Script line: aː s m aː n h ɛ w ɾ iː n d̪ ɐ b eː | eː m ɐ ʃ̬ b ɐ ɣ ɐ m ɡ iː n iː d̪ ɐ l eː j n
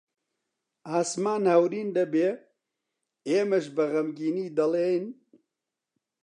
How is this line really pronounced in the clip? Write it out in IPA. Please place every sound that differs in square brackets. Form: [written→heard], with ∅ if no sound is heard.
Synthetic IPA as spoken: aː s m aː n h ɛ w ɾ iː n d̪ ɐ b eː | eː m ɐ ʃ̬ b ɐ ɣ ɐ m ɡ iː n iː d̪ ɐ l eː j n